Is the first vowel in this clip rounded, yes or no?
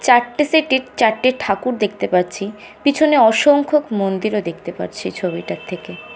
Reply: no